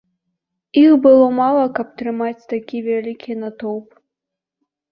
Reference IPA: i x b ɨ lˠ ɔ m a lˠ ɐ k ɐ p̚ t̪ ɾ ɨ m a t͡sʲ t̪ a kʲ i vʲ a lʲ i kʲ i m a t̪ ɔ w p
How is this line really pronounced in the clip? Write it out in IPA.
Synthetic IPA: i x b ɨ lˠ ɔ m a lˠ ɐ k ɐ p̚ t̪ ɾ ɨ m a t͡sʲ t̪ a kʲ i vʲ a lʲ i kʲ i n a t̪ ɔ w p